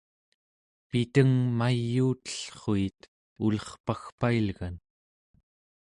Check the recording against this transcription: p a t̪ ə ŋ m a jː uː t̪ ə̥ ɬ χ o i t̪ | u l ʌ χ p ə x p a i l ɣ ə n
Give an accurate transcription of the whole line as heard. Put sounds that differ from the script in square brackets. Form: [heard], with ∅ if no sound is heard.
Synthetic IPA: p [i] t̪ ə ŋ m a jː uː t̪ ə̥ ɬ χ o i t̪ | u l ʌ χ p [a] x p a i l ɣ [a] n